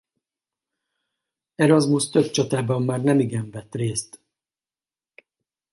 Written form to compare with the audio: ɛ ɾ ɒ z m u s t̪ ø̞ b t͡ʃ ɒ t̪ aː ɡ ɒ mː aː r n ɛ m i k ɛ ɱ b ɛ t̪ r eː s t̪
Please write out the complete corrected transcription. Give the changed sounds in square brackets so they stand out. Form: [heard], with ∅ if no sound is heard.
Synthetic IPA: ɛ ɾ ɒ z m u s t̪ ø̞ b t͡ʃ ɒ t̪ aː [b] ɒ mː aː r n ɛ m i [ɡ] ɛ ɱ [v] ɛ t̪ r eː s t̪